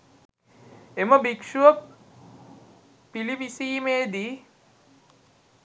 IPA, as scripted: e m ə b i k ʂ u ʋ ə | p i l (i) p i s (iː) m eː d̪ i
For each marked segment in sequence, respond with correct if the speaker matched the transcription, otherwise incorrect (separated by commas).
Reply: correct, correct